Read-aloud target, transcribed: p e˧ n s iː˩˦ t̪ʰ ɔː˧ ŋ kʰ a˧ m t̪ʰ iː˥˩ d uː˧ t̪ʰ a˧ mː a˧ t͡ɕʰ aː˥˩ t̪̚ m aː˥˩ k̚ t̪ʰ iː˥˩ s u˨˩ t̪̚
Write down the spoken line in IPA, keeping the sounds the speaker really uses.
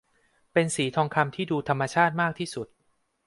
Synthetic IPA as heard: p e˧ n s iː˩˦ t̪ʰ ɔː˧ ŋ kʰ a˧ m t̪ʰ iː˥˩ d uː˧ t̪ʰ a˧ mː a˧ t͡ɕʰ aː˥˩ t̪̚ m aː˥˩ k̚ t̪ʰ iː˥˩ s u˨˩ t̪̚